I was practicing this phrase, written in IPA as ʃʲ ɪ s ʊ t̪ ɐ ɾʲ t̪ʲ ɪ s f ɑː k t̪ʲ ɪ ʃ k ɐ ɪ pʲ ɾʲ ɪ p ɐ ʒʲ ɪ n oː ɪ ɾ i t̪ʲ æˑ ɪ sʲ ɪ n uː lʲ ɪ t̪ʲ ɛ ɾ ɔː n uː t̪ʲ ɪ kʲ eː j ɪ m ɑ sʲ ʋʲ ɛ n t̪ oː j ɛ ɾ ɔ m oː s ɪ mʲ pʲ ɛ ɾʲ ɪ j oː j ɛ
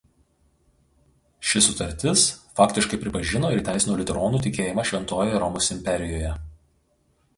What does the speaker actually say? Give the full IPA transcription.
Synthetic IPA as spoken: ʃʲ ɪ s ʊ t̪ ɐ ɾʲ t̪ʲ ɪ s f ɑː k t̪ʲ ɪ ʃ k ɐ ɪ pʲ ɾʲ ɪ p ɐ ʒʲ ɪ n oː ɪ ɾ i t̪ʲ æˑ ɪ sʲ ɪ n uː lʲ ɪ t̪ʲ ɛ ɾ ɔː n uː t̪ʲ ɪ kʲ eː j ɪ m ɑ ʃʲ ʋʲ ɛ n t̪ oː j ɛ ɾ ɔ m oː s ɪ mʲ pʲ ɛ ɾʲ ɪ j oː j ɛ